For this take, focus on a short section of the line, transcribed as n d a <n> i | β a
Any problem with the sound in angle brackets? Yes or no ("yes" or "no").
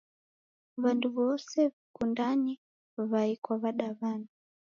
no